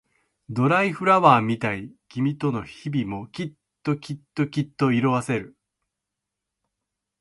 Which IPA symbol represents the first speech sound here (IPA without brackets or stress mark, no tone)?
d̪